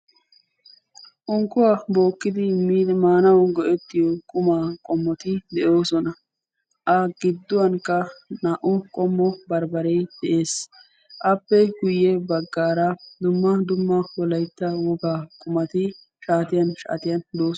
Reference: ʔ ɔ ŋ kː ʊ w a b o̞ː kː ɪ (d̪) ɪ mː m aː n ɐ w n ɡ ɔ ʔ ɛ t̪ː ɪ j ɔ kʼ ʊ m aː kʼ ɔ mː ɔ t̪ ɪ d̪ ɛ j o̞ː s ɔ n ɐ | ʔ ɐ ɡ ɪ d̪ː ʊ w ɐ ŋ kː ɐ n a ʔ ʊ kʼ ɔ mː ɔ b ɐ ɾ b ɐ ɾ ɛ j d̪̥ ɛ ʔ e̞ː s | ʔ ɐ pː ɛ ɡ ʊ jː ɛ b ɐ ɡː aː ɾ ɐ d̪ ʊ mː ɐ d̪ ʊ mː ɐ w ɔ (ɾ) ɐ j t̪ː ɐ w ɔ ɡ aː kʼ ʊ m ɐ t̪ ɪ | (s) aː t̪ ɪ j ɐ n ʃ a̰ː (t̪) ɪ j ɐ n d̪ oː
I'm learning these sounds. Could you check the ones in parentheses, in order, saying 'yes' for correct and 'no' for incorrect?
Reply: yes, no, no, yes

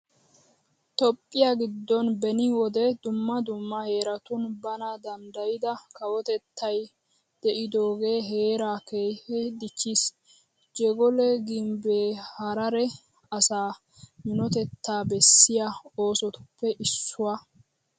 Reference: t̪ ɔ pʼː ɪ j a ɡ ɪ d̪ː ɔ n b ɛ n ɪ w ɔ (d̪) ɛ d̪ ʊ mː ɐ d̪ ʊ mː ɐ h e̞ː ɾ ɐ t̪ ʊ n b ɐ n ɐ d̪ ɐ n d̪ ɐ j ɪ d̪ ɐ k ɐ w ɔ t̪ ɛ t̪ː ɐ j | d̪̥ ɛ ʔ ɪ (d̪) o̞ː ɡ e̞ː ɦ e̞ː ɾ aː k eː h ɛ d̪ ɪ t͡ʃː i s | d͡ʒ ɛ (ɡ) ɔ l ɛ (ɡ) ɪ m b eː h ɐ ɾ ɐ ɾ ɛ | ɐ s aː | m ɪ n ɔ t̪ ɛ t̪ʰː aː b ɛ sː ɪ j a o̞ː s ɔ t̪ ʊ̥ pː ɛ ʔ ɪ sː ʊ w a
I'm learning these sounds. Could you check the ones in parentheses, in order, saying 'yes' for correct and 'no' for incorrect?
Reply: yes, yes, yes, yes

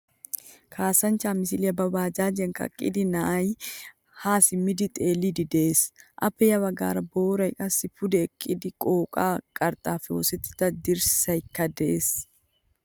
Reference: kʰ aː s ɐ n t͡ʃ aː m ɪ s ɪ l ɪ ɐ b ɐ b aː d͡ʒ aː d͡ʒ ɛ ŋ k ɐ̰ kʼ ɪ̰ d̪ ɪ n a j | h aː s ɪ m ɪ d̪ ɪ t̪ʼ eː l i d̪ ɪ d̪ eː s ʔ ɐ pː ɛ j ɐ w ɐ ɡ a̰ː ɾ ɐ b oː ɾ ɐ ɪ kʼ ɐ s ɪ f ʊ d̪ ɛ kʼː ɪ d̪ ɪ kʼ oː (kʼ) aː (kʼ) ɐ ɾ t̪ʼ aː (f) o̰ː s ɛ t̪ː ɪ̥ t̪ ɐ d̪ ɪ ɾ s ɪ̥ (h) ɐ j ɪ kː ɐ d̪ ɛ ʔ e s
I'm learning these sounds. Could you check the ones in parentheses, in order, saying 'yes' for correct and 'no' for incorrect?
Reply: yes, yes, yes, no

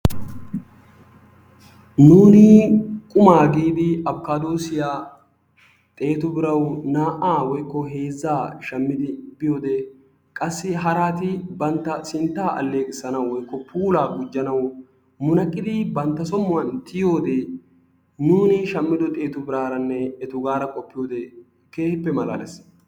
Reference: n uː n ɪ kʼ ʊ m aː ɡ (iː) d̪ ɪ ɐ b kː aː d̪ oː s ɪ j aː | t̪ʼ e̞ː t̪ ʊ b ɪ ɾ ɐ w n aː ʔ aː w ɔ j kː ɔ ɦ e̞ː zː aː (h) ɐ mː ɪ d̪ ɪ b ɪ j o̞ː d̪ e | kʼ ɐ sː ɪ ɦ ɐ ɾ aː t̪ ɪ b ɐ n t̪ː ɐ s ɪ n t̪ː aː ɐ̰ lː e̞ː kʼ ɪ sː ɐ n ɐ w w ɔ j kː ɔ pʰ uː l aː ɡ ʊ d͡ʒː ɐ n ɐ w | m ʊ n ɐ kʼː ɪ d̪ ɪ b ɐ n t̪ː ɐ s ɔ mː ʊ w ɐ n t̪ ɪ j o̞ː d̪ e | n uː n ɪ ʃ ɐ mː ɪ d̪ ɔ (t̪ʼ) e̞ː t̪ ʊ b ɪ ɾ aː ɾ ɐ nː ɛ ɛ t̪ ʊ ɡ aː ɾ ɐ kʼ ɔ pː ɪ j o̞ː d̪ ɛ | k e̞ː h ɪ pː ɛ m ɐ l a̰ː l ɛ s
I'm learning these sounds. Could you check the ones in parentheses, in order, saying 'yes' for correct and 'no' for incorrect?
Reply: yes, no, yes

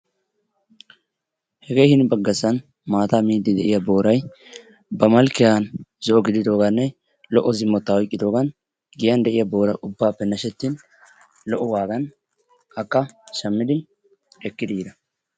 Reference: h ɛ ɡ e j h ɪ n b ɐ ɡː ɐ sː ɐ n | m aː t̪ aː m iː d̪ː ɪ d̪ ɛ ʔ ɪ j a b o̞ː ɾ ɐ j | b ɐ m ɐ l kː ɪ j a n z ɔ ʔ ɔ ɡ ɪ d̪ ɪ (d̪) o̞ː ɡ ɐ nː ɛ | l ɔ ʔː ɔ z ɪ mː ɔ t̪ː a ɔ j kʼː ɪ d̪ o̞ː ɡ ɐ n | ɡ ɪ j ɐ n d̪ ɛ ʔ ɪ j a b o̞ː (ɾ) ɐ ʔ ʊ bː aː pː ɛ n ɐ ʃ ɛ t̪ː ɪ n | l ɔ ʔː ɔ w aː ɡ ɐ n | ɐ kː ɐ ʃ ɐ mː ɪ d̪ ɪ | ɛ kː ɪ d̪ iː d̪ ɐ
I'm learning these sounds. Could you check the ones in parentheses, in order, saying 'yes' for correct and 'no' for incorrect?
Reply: yes, yes

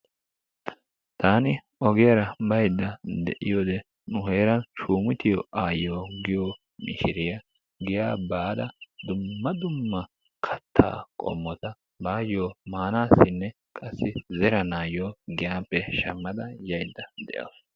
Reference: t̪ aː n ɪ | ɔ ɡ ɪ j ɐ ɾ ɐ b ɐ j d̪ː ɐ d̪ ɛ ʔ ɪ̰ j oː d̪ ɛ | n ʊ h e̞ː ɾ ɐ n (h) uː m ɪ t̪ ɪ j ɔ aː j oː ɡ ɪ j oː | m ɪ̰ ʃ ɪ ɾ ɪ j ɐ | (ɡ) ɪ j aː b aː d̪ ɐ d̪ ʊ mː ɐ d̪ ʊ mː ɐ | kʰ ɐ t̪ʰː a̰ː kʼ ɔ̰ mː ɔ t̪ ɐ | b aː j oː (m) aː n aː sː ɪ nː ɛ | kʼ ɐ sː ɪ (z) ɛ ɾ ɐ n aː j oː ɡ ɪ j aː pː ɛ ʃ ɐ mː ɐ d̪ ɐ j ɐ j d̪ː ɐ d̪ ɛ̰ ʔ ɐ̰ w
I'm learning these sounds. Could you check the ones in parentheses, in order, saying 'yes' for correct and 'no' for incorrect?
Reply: no, yes, yes, yes

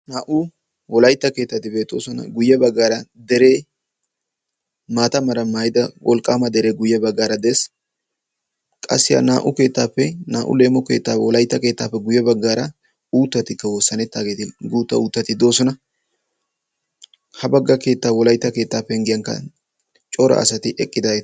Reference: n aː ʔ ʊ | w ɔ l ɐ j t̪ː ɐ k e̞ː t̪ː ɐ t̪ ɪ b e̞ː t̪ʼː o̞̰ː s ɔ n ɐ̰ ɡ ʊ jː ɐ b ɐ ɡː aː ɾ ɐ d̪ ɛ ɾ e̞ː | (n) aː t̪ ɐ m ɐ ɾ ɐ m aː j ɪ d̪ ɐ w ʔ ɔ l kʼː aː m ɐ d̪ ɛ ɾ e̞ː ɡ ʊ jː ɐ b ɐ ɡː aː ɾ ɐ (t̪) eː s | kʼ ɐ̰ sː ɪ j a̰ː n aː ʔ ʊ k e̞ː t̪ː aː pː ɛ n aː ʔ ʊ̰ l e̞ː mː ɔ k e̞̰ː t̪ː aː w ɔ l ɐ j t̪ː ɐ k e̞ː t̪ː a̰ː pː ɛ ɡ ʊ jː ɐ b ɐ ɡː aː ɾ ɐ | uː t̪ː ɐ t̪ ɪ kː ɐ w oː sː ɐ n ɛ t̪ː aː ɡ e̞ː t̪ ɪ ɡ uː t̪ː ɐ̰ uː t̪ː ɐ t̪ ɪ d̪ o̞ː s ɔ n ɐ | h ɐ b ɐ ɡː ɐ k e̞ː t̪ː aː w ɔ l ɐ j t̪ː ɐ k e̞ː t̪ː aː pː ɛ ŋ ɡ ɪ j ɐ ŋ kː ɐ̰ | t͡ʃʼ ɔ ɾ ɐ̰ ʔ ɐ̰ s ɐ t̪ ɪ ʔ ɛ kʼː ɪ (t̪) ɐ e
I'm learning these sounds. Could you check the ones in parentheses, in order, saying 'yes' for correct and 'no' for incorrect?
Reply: no, no, no

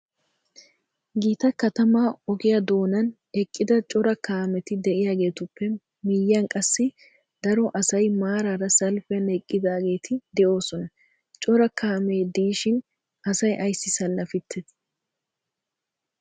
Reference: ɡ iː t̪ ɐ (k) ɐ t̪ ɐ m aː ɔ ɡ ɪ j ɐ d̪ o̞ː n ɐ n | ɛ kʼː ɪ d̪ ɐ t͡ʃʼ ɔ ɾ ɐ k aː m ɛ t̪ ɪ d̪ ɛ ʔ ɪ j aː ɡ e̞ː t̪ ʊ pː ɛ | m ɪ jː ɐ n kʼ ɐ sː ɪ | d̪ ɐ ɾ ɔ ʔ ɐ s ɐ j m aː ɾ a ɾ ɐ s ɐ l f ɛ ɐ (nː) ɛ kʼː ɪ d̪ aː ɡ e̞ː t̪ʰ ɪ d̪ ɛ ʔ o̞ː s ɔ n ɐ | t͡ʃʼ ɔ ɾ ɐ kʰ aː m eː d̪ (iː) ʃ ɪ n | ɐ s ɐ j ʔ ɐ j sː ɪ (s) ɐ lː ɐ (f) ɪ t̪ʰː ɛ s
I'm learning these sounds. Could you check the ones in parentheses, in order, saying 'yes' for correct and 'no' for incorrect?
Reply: yes, no, yes, yes, yes

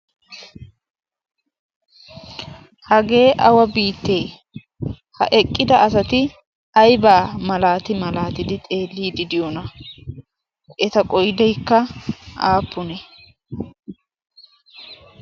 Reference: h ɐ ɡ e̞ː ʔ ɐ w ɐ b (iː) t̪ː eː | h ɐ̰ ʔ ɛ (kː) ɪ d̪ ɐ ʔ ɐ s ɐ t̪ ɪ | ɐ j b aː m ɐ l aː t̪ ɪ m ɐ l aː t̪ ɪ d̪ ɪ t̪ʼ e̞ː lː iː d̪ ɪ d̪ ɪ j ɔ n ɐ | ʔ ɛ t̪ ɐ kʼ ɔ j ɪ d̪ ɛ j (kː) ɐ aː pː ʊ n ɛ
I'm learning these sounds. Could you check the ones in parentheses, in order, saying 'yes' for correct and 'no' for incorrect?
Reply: yes, no, yes

